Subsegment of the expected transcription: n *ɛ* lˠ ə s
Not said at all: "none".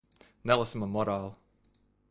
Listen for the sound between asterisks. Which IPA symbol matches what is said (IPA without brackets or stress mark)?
ɛ